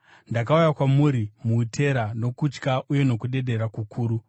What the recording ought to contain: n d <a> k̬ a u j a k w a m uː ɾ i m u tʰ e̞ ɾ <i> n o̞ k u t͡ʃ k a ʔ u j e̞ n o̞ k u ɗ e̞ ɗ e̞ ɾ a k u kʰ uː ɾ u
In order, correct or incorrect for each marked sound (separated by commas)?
correct, incorrect